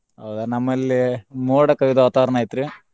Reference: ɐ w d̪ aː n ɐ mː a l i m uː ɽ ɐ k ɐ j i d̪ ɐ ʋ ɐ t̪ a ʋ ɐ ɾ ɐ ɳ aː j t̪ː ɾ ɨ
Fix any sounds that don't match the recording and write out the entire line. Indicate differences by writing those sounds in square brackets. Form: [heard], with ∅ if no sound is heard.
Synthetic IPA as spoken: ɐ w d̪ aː n ɐ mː [ɐ] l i m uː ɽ ɐ k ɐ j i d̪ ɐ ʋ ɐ t̪ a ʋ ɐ ɾ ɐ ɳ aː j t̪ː ɾ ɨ